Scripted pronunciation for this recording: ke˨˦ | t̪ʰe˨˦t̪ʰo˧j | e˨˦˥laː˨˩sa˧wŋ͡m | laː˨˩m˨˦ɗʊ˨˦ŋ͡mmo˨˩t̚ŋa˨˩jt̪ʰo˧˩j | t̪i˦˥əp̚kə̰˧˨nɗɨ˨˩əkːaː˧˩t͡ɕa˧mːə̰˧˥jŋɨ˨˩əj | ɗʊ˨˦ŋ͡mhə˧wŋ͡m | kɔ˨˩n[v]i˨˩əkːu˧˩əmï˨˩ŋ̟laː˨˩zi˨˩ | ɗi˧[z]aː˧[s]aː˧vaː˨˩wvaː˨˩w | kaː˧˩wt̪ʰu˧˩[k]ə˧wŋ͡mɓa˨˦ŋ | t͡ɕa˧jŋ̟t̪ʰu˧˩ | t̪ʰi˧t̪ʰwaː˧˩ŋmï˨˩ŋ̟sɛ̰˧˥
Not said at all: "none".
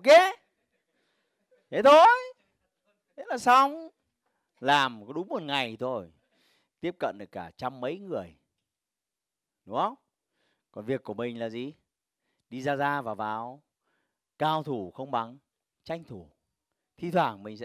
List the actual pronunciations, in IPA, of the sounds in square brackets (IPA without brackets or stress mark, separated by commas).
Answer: v, z, z, x